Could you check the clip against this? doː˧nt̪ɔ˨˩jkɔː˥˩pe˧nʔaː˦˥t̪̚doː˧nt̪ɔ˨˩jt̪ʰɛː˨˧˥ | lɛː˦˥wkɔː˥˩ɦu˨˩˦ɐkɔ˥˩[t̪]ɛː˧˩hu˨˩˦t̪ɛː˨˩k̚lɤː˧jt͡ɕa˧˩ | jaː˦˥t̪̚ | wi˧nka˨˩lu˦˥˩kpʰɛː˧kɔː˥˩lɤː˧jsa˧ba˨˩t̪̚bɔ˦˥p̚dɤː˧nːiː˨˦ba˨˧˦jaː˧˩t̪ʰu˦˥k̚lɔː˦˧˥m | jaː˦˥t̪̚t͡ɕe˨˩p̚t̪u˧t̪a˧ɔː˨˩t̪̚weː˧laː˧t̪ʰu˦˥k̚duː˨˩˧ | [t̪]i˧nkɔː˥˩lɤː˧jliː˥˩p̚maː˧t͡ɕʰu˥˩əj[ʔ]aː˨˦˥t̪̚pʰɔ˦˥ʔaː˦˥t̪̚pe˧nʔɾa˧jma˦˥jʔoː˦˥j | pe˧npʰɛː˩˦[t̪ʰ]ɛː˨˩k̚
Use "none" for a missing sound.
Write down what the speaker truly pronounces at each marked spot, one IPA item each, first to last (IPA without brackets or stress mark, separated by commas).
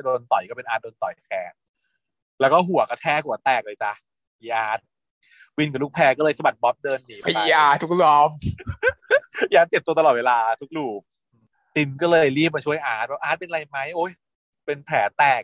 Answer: t̪ʰ, t̪, ʔ, t̪